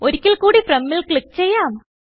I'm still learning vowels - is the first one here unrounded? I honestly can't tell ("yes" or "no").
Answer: no